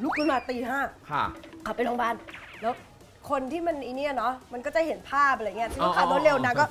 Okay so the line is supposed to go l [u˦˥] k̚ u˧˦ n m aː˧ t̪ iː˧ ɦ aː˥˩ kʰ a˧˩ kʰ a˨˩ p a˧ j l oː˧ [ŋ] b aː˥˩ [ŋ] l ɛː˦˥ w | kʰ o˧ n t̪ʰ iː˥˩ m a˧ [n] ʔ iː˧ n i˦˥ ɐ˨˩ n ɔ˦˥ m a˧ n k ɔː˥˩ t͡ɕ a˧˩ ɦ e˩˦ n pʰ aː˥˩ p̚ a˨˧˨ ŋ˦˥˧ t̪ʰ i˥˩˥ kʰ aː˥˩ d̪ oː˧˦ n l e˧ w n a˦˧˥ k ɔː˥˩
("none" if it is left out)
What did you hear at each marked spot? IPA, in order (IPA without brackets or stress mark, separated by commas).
u˦˥, ŋ, n, n